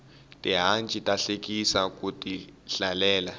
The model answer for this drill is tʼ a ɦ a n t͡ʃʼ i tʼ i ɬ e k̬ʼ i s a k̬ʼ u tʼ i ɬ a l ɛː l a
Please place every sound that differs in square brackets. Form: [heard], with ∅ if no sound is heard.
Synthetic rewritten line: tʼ [i] ɦ a n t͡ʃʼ i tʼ [a] ɬ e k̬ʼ i s a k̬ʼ u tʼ i ɬ a l ɛː l a